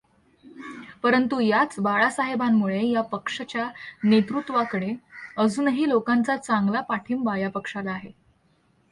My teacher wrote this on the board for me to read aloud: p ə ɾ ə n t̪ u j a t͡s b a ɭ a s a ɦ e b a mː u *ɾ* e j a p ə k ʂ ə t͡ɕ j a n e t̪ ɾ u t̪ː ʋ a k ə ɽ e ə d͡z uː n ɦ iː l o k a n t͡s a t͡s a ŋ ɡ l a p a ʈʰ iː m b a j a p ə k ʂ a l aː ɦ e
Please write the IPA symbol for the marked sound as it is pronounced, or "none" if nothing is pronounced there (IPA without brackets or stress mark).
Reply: ɭ